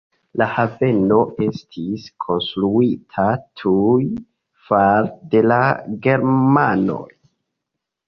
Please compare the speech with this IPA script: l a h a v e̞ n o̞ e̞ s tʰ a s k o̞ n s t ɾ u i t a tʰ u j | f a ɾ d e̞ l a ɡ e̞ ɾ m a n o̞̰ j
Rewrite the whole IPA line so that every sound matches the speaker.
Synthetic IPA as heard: l a h a v e̞ n o̞ e̞ s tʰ i s kʰ o̞ n s t ɾ u i tʰ a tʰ u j | f a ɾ d e̞ l a ɡ e̞ ɾ m a n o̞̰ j